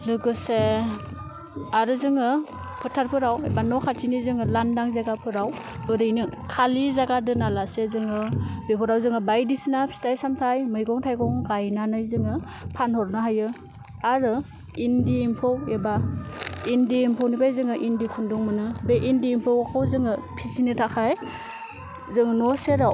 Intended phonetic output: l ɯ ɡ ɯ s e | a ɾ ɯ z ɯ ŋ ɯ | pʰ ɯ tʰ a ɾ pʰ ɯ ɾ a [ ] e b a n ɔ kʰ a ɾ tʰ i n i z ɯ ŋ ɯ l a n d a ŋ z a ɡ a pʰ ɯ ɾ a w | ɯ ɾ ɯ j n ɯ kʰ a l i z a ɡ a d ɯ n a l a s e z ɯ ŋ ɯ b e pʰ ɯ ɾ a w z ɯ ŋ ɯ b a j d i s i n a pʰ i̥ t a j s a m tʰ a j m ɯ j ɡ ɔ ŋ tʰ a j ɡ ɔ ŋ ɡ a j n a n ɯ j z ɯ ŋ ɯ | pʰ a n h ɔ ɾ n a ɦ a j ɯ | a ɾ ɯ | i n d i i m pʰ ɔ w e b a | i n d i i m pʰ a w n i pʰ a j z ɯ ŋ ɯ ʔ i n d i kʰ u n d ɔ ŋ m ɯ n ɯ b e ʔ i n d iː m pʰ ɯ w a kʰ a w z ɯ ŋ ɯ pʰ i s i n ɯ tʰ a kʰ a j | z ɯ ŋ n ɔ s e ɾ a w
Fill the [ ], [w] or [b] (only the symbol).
w